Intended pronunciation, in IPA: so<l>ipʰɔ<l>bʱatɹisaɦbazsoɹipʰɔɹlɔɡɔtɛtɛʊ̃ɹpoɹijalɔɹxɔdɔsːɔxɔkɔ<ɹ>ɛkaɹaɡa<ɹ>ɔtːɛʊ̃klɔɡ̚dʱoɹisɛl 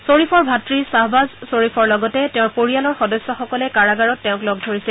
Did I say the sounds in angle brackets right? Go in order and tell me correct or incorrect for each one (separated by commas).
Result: incorrect, incorrect, incorrect, correct